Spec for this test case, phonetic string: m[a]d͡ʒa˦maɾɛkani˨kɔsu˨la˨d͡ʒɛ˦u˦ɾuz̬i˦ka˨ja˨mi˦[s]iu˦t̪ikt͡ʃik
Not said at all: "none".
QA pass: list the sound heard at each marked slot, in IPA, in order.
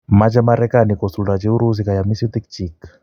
a, s

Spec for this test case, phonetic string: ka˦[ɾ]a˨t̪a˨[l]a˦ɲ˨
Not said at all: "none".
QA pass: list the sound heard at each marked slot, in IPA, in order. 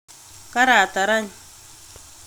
ɾ, ɾ

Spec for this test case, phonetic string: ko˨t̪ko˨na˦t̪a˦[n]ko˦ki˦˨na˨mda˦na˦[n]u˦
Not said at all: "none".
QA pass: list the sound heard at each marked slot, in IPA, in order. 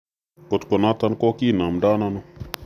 n, n

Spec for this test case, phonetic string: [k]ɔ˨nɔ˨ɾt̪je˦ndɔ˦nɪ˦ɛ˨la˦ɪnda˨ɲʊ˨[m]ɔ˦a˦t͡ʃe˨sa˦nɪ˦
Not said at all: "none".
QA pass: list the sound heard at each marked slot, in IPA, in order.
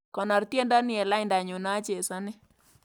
k, n

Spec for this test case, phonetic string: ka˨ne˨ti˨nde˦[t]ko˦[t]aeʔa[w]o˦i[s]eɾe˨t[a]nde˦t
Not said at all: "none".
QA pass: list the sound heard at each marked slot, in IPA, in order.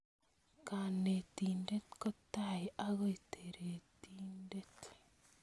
t, t, ɣ, t, i

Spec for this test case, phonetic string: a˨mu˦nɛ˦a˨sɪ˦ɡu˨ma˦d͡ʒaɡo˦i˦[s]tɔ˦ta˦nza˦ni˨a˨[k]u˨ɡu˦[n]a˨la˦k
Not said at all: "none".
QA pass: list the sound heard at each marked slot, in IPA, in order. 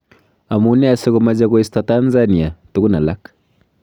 s, t, n

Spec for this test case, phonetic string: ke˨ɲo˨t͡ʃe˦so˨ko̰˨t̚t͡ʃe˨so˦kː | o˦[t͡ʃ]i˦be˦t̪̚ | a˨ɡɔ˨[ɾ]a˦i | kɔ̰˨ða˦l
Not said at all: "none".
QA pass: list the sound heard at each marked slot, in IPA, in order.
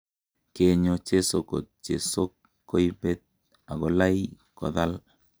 none, l

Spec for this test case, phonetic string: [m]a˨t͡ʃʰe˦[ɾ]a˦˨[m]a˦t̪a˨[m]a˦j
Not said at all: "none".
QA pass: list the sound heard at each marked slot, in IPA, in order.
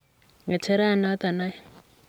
ŋ, ɾ, n, n

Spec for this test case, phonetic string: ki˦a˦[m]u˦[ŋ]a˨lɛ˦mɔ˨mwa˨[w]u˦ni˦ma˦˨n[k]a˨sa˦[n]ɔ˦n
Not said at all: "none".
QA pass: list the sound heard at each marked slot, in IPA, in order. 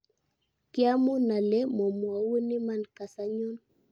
m, n, w, k, ɲ

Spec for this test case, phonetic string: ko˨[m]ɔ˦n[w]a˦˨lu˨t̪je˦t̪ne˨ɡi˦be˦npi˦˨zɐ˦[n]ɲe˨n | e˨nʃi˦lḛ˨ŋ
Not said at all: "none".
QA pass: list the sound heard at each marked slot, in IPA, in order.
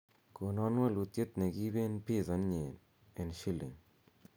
n, w, n

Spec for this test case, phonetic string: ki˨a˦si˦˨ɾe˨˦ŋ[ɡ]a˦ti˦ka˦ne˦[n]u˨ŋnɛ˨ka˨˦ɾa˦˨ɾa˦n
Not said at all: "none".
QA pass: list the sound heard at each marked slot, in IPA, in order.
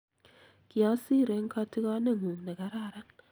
k, ŋ

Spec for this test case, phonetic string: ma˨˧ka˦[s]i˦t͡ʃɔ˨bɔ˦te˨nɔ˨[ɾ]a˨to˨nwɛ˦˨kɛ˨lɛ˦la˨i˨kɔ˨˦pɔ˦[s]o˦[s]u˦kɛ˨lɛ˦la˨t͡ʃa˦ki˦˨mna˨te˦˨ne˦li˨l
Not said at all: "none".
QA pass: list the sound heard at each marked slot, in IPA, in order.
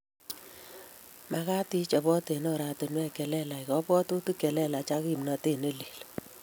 t, ɾ, t, t

